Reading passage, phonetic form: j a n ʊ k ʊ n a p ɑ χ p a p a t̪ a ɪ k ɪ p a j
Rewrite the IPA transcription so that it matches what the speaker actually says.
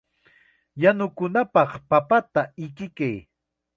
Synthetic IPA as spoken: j a n ʊ k ʊ n a p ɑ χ p a p a t̪ a ɪ k ɪ k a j